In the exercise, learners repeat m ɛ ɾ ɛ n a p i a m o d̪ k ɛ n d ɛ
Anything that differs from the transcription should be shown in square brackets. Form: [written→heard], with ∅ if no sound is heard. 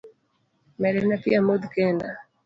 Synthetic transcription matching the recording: m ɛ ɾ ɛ n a p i a m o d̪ k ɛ n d [ɛ→a]

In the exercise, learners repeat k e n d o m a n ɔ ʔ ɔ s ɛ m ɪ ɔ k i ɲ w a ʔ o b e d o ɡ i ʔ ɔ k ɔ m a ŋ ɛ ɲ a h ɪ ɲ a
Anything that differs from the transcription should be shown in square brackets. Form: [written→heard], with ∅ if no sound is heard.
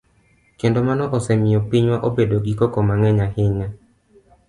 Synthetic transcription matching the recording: k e n d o m a n ɔ ʔ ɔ s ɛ m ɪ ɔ [k→p] i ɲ w a ʔ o b e d o ɡ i [ʔ→k] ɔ k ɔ m a ŋ ɛ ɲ a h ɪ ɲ a

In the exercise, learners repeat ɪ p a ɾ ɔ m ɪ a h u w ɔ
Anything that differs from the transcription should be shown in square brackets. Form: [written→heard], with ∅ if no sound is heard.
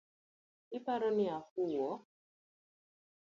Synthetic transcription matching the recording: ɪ p a ɾ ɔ [m→n] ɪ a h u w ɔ

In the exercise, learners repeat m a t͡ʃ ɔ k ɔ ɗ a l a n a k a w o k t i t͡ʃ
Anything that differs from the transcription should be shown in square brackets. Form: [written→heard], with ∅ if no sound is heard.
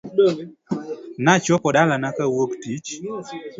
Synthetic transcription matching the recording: [m→n] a t͡ʃ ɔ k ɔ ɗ a l a n a k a w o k t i t͡ʃ

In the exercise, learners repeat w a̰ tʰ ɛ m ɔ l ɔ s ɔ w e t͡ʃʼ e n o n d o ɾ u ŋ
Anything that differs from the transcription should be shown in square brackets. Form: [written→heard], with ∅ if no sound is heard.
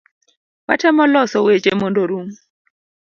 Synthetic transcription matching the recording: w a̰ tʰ ɛ m ɔ l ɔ s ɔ w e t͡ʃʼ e [n→m] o n d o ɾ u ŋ

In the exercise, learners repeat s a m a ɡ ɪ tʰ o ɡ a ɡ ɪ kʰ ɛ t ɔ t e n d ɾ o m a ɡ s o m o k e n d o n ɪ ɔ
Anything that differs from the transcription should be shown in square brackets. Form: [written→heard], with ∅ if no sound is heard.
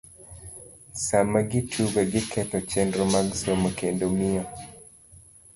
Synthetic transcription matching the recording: s a m a ɡ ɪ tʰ [o→u] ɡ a ɡ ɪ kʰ ɛ t ɔ [t→t͡ʃ] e n d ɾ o m a ɡ s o m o k e n d o [n→m] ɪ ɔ

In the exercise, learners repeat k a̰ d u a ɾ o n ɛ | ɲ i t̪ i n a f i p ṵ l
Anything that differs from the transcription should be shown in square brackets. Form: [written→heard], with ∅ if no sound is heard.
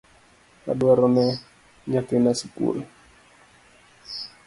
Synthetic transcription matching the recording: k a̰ d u a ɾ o n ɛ | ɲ [i→a] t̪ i n a [f→s] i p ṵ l

